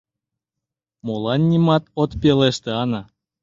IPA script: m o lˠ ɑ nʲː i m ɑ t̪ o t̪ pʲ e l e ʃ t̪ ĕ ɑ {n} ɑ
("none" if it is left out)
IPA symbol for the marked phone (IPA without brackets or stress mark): n